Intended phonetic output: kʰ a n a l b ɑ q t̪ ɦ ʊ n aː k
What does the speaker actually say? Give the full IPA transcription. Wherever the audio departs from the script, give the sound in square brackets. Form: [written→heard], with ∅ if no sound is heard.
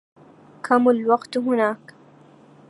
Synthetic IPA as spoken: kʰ a [n→m] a l [b→w] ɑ q t̪ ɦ ʊ n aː k